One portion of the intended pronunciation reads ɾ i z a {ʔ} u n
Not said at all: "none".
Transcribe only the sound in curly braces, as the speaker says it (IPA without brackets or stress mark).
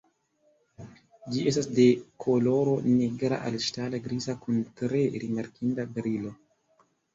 k